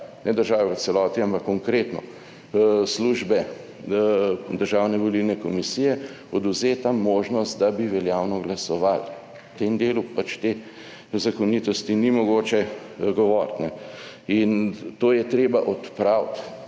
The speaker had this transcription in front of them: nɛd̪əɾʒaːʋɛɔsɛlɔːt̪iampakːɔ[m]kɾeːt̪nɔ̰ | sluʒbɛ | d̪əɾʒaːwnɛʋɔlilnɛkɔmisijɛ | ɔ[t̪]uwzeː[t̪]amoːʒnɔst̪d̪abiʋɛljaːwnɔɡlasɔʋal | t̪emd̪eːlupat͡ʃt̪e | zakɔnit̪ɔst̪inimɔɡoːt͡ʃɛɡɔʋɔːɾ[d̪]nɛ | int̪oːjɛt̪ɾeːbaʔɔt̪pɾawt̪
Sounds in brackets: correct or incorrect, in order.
incorrect: ŋ, incorrect: d̪, correct, incorrect: t̪

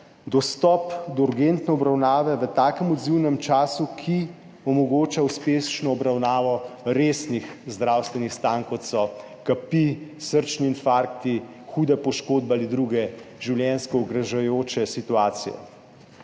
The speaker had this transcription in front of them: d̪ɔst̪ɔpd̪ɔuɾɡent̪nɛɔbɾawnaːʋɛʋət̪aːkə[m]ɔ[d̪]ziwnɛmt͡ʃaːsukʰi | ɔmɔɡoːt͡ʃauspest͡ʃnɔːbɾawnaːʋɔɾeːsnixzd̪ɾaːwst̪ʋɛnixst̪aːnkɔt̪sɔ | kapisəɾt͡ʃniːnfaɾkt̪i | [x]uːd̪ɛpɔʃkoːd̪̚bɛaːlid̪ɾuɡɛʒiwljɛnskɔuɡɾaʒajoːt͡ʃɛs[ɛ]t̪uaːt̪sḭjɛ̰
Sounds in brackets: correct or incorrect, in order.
correct, correct, correct, incorrect: i

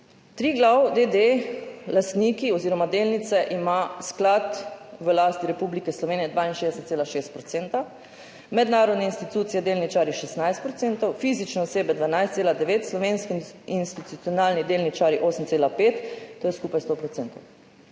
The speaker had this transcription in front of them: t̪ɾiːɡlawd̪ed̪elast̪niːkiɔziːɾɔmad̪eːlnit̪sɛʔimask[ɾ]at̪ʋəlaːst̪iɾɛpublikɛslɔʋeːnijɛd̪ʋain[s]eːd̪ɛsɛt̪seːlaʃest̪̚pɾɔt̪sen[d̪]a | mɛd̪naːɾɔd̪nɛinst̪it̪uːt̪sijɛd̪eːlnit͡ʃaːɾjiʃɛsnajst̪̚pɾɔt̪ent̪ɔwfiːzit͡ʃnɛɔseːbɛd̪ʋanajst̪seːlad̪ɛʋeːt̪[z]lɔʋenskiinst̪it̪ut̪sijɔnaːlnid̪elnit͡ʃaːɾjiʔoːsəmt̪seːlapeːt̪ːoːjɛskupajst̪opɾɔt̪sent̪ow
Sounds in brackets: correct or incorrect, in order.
incorrect: l, incorrect: ʃ, incorrect: t̪, incorrect: s

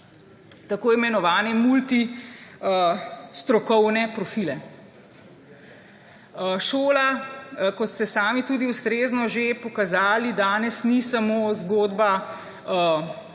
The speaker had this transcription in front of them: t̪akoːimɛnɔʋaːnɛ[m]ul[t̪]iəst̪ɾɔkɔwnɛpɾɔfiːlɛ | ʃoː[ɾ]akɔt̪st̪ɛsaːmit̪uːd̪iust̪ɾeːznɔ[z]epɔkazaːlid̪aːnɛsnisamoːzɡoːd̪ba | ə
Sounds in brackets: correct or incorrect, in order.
correct, correct, incorrect: l, incorrect: ʒ

